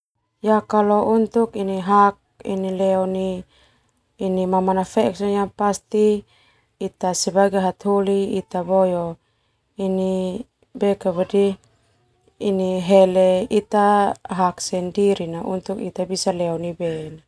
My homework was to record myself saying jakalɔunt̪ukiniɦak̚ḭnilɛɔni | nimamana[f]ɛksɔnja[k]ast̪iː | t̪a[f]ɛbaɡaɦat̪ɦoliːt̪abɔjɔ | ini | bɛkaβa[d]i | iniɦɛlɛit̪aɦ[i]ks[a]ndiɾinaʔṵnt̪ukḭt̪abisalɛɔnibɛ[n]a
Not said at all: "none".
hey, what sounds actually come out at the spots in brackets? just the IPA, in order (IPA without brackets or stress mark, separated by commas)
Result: f, p, s, d, a, ɛ, n